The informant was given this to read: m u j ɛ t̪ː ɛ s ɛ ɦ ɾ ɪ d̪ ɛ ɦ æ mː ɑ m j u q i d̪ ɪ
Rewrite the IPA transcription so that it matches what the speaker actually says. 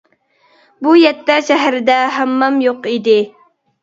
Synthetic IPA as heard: b u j ɛ t̪ː ɛ ʃ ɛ ɦ ɾ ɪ d̪ ɛ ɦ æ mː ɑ m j o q i d̪ ɪ